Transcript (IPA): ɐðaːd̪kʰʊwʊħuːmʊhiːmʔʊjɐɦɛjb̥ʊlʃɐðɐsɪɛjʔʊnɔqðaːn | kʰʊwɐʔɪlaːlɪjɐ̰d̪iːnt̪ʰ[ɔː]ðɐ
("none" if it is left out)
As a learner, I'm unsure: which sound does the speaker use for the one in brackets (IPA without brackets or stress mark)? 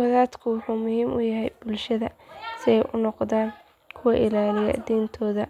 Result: ɔː